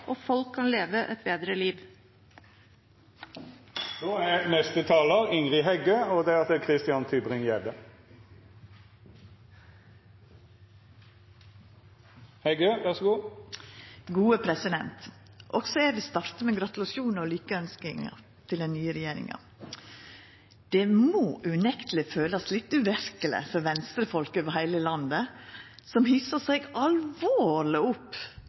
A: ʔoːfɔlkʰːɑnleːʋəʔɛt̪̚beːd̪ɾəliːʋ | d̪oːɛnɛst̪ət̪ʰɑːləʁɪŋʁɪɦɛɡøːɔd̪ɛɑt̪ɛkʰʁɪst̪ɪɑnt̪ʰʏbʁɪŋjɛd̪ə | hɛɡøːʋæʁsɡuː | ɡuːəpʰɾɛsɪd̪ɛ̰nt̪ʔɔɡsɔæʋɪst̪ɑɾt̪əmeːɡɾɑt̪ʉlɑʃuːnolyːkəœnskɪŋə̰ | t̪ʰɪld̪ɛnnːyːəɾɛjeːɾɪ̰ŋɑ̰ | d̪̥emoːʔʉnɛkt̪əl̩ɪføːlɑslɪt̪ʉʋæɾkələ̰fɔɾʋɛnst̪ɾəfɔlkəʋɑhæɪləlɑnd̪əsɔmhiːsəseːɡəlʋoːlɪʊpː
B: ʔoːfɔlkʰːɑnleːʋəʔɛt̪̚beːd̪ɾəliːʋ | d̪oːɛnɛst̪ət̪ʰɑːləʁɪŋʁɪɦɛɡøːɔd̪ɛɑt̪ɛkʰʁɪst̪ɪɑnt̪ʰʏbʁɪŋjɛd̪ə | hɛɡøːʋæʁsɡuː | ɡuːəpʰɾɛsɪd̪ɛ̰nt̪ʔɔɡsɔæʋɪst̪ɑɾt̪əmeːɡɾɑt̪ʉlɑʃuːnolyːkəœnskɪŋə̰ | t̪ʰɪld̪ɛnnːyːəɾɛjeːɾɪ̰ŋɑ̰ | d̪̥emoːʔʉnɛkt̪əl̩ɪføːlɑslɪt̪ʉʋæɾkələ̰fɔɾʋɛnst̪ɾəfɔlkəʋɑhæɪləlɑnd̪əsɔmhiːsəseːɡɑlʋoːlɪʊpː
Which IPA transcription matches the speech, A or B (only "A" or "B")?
B